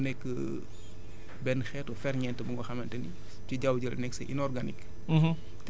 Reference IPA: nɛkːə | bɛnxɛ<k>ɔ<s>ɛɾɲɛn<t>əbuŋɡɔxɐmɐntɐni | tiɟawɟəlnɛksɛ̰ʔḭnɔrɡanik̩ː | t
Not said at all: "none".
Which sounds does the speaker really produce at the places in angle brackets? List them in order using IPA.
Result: t, f, t

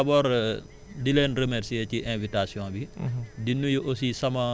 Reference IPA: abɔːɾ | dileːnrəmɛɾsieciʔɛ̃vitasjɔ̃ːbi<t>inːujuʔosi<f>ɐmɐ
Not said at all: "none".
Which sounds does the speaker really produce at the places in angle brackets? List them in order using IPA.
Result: d, s

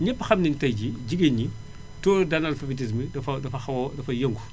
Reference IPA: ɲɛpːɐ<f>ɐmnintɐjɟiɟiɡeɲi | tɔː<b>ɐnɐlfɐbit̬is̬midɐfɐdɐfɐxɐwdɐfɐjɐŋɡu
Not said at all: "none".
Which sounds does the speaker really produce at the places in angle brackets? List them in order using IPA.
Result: x, d

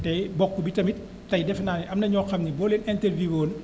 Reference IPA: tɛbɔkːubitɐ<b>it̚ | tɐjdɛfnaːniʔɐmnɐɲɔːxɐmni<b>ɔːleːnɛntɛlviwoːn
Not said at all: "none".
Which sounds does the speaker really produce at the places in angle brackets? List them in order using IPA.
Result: m, b

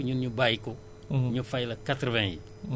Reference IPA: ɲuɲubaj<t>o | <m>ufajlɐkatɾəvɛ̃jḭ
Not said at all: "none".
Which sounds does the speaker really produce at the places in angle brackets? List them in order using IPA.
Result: k, ɲ

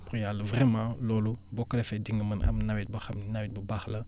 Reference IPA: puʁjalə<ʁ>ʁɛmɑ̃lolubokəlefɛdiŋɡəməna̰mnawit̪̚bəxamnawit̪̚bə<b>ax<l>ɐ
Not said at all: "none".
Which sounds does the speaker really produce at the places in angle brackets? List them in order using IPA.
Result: v, b, l

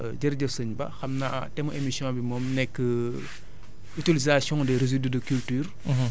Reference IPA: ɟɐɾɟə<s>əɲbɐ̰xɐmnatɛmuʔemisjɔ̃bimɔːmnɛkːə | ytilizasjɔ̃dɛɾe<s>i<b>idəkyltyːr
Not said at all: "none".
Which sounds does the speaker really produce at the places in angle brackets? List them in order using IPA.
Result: s, z, d

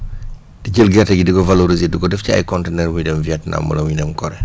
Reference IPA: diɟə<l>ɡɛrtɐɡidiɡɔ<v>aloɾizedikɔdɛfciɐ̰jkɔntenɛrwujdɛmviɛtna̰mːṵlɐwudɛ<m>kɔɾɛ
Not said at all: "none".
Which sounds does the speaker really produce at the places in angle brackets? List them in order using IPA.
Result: l, v, m

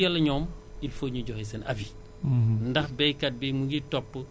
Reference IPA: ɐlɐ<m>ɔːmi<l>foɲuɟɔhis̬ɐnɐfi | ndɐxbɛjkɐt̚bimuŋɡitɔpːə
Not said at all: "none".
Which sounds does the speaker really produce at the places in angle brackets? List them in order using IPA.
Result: ɲ, l

